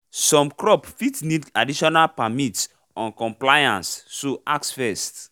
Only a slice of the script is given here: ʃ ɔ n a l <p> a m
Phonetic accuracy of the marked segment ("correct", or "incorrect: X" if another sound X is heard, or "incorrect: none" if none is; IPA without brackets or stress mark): correct